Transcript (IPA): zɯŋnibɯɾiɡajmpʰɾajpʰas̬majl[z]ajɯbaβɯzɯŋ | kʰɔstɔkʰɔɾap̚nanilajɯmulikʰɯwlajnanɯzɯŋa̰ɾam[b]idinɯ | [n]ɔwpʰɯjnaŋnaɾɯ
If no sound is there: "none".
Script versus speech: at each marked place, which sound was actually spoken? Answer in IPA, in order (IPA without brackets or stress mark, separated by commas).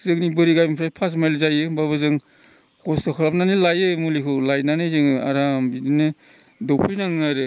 z, b, d